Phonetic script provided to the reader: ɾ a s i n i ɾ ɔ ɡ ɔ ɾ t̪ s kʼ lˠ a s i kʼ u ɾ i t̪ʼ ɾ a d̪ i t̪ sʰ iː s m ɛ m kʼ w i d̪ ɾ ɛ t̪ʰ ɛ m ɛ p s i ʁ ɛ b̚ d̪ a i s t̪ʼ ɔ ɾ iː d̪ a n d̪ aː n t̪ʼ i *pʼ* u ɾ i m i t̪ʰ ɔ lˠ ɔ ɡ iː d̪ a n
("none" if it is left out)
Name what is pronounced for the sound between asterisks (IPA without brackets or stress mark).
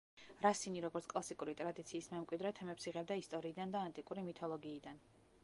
kʼ